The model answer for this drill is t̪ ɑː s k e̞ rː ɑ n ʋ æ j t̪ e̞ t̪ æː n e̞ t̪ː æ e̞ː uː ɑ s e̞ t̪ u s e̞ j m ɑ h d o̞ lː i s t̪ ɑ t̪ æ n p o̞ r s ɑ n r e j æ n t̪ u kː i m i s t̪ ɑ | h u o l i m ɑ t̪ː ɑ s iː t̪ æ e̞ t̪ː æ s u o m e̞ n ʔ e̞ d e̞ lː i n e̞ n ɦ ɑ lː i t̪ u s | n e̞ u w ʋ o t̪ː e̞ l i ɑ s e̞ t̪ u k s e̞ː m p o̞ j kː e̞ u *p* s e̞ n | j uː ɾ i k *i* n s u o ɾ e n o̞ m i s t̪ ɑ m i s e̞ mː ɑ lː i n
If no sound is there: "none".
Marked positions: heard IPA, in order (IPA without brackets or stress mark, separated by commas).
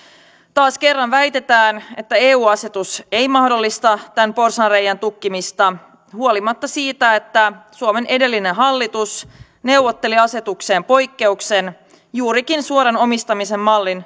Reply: k, i